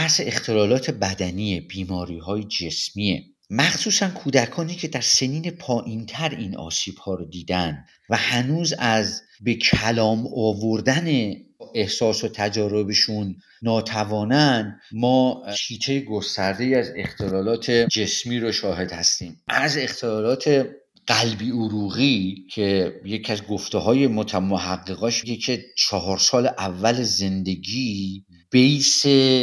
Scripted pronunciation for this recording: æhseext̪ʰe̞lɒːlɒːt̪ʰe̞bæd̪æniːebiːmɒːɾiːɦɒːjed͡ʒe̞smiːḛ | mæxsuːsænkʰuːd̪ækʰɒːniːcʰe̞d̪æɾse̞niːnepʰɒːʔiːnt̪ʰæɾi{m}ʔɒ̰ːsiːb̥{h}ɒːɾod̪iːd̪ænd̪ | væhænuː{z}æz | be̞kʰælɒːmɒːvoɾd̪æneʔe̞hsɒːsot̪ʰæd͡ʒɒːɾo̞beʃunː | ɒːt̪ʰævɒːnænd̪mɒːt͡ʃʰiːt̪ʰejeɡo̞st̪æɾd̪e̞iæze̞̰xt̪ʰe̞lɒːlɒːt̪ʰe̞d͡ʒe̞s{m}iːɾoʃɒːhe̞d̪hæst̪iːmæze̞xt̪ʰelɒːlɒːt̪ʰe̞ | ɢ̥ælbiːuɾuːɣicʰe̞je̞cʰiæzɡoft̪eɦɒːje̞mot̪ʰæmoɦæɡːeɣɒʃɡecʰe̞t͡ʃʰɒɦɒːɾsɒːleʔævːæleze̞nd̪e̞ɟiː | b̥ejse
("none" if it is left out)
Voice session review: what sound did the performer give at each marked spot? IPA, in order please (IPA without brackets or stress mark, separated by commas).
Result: n, h, z, m